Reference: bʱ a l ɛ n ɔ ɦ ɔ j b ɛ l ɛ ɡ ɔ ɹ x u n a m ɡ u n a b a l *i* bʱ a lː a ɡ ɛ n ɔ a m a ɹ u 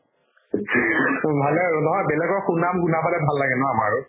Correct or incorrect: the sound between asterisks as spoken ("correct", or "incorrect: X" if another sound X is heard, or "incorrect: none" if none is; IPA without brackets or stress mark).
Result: incorrect: ɛ